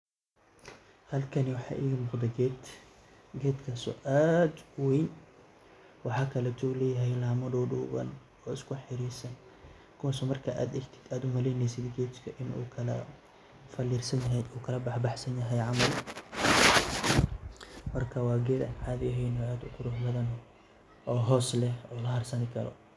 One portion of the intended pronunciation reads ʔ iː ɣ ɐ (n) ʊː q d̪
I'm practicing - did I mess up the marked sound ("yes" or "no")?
yes